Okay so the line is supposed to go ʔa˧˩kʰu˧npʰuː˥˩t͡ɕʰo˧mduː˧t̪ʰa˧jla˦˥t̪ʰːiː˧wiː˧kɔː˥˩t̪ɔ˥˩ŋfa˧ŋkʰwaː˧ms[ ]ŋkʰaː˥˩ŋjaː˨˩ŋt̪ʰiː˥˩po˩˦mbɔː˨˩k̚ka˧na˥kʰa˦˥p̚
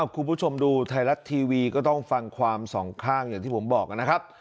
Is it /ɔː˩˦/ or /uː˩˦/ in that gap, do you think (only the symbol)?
ɔː˩˦